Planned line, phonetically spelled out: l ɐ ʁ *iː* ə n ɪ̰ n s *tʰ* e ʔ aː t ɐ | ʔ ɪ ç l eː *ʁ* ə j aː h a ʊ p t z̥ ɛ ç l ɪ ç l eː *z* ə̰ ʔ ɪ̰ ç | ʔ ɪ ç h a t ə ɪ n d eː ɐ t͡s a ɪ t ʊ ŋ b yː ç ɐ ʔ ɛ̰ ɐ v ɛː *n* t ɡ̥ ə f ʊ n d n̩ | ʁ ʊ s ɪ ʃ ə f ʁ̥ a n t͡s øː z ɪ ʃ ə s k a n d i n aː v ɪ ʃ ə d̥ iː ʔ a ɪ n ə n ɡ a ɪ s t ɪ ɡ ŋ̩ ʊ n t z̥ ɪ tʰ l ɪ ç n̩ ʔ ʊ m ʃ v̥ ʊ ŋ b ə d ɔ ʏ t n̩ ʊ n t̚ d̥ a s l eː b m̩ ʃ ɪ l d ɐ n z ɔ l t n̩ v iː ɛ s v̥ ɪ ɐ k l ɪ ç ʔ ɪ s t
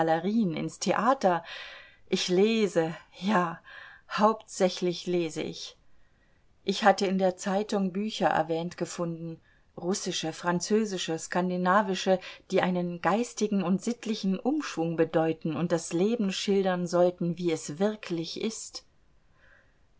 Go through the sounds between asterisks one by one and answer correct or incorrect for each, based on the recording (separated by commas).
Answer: correct, correct, incorrect, correct, correct